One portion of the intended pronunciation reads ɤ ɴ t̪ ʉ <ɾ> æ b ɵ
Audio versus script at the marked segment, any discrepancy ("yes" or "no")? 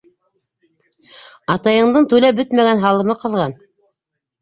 yes